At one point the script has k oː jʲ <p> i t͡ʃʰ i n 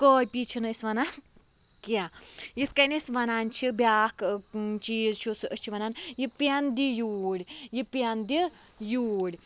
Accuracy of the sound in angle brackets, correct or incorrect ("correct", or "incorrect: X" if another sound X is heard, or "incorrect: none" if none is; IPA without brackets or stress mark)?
correct